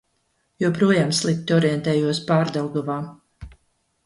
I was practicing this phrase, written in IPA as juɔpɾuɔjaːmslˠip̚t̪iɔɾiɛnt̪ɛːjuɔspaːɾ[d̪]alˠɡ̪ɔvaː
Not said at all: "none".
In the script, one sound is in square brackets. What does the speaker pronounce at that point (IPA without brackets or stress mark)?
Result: d̪